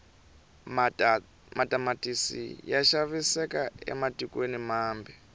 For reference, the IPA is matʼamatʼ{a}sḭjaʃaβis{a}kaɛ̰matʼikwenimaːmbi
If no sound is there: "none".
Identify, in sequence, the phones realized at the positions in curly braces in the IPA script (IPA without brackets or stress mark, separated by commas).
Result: i, ɛ